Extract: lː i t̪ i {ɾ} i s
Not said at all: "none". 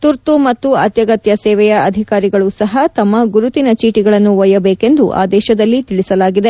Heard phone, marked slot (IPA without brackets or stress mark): ɭ